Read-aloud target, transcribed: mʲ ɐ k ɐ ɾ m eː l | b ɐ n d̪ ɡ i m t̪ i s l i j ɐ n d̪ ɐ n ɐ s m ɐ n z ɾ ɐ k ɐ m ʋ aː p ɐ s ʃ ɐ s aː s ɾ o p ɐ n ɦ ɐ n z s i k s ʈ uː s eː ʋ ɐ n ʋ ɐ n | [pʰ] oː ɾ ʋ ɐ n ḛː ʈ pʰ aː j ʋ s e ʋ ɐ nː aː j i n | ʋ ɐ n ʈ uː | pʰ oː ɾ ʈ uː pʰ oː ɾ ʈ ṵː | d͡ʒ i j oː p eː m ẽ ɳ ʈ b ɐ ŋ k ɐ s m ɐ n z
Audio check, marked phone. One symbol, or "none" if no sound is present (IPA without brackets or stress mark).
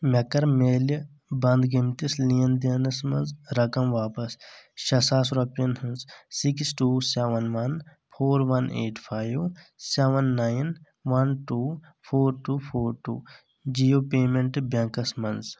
pʰ